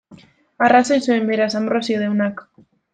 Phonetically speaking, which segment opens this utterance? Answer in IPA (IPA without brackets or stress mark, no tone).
a